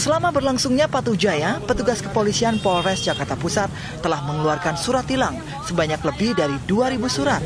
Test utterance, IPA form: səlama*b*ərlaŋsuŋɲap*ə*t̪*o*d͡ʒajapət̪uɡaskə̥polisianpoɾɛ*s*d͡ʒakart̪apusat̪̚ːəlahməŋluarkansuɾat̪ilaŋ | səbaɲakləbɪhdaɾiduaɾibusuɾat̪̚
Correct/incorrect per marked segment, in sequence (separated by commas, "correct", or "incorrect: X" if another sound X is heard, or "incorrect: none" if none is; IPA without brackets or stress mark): correct, incorrect: a, incorrect: u, correct